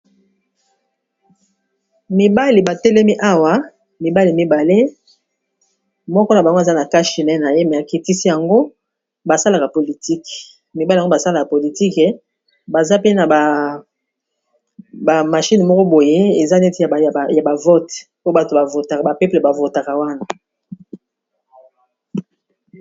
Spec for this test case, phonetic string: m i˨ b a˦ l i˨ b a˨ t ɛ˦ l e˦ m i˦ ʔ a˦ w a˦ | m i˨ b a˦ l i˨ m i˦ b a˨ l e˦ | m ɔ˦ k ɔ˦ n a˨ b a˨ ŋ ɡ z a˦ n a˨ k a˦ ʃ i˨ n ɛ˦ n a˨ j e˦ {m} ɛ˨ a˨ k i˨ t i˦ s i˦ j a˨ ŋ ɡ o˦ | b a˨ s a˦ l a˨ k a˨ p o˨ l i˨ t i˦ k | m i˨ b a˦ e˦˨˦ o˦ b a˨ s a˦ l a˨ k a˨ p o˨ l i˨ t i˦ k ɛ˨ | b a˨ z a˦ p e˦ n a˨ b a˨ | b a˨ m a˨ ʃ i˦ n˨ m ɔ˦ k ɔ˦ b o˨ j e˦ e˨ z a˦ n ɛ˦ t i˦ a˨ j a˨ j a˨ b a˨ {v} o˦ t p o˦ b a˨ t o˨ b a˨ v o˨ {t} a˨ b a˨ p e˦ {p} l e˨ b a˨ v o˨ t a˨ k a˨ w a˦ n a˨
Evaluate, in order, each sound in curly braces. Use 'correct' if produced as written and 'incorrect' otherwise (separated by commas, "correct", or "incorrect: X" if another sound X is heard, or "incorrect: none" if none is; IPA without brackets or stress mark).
correct, correct, correct, correct